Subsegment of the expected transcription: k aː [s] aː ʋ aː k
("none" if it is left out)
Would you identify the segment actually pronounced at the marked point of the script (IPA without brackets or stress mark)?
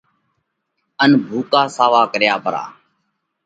s